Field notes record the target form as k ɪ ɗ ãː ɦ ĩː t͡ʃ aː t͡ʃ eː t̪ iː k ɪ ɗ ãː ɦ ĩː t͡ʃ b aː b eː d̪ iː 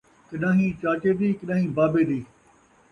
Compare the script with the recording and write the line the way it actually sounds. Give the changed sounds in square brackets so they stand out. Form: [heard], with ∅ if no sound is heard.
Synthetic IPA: k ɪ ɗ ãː ɦ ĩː t͡ʃ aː t͡ʃ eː [d̪] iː k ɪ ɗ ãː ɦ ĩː [∅] b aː b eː d̪ iː